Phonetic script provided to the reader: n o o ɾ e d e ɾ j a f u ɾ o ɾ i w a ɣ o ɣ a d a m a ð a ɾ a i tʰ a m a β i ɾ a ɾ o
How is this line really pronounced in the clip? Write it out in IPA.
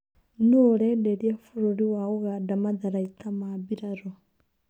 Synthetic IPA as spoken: n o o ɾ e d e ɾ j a f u ɾ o ɾ i w a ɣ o ɣ a d a m a ð a ɾ a i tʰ a m a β i ɾ a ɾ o